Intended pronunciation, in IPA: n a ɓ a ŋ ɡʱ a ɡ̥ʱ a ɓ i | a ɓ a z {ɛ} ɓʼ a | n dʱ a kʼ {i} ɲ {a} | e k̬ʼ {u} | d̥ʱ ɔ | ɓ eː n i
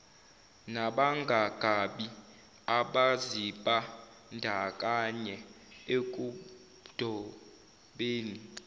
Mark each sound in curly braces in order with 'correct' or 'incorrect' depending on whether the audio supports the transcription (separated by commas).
incorrect, incorrect, incorrect, correct